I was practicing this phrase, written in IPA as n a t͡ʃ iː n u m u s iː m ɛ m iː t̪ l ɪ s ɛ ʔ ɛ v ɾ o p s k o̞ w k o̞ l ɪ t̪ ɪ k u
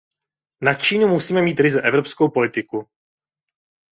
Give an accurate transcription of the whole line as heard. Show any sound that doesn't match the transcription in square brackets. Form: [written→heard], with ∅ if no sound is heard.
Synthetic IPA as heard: n a t͡ʃ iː n u m u s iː m ɛ m iː t̪ [l→ɾ] ɪ [s→z] ɛ ʔ ɛ v ɾ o p s k o̞ w [k→p] o̞ l ɪ t̪ ɪ k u